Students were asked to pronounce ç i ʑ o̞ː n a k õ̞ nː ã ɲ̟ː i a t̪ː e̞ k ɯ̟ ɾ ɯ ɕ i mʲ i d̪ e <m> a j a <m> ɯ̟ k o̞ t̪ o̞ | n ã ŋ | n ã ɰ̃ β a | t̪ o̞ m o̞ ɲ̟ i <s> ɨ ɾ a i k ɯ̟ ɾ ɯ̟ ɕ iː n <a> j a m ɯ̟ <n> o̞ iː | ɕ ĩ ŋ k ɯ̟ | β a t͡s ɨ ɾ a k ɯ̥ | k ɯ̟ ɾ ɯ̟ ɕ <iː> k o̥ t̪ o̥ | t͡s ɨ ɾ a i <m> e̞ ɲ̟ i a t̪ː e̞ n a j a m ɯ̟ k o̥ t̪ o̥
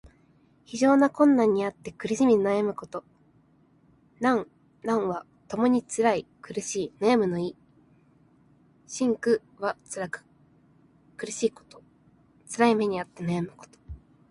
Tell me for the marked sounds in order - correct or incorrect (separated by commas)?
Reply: incorrect, correct, incorrect, correct, correct, correct, correct